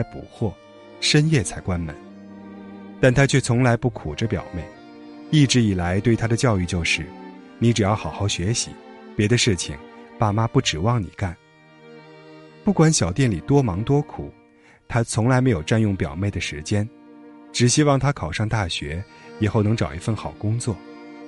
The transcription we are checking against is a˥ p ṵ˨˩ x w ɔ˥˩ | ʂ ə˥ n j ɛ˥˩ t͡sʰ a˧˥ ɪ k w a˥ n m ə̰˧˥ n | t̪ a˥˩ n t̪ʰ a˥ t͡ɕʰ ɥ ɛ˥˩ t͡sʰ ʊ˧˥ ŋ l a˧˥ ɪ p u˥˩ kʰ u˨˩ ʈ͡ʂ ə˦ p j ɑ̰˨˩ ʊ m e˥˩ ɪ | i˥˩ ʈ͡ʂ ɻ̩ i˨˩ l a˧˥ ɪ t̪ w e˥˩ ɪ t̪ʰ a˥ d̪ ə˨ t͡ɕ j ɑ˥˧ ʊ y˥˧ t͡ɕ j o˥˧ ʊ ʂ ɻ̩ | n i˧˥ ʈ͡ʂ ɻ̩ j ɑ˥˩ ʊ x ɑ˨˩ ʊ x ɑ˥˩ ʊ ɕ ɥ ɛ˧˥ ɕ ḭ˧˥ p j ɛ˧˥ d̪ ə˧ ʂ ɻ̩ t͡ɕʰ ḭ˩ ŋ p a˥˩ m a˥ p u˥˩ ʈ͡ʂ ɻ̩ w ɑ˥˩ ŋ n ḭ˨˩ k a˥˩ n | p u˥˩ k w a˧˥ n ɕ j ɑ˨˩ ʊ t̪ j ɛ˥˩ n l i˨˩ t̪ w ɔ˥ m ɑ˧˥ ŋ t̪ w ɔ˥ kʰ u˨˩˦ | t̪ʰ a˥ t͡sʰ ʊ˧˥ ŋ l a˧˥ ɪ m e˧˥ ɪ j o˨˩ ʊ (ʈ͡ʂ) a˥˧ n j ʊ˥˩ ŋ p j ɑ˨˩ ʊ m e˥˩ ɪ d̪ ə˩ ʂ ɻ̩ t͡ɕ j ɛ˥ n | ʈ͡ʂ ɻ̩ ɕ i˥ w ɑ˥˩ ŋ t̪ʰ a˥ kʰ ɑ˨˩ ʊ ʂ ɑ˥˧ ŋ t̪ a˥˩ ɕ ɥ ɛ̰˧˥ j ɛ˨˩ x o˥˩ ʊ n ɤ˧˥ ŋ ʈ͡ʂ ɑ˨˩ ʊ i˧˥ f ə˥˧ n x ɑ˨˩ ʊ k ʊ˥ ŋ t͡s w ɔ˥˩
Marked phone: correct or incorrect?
correct